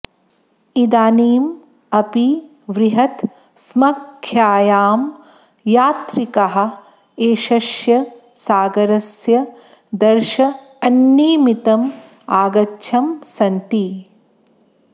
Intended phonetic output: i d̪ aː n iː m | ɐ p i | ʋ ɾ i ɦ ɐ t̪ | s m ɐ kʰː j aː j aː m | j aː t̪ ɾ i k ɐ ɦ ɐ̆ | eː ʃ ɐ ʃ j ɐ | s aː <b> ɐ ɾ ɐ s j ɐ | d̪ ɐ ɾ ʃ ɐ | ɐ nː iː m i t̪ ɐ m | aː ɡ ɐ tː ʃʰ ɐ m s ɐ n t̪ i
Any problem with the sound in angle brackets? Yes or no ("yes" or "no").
yes